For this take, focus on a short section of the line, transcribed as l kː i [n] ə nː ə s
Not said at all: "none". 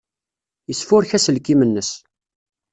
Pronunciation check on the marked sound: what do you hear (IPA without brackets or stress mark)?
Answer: m